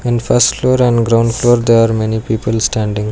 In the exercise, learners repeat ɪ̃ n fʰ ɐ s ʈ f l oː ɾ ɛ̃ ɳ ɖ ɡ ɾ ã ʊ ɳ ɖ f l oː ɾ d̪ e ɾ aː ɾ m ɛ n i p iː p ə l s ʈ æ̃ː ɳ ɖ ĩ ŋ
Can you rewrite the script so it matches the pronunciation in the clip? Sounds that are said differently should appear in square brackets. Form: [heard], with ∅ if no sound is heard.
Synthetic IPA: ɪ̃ n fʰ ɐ s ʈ f l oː ɾ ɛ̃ ɳ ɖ ɡ ɾ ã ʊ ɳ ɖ f l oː ɾ d̪ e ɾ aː ɾ m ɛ n i p iː p ə l s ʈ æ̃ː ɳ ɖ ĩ ŋ